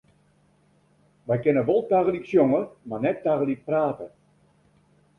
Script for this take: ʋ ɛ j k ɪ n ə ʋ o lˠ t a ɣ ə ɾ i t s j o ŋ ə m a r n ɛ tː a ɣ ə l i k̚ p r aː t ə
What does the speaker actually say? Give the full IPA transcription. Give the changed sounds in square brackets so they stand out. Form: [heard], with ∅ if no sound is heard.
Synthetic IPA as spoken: ʋ ɛ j k ɪ n ə ʋ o lˠ t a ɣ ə [l] i [k] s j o ŋ ə m a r n ɛ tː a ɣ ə l i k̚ p r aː t ə